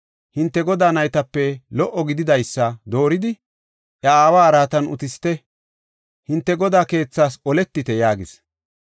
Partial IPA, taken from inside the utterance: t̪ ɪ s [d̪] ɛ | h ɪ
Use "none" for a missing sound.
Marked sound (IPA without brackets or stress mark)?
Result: t̪